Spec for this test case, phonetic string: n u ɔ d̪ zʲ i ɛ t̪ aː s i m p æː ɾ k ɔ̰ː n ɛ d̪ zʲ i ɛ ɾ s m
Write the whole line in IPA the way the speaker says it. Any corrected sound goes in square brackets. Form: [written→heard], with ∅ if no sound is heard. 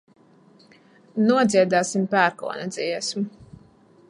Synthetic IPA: n u ɔ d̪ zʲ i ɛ [t̪→d̪] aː s i m p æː ɾ k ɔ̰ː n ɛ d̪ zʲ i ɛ [ɾ→∅] s m